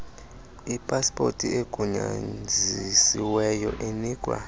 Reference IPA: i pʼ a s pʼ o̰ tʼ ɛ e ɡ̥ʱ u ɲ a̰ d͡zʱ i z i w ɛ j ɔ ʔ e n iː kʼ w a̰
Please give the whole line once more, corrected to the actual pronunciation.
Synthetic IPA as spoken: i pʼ a s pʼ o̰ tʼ i e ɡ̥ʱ u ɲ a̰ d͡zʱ i s i w ɛ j ɔ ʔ e n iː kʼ w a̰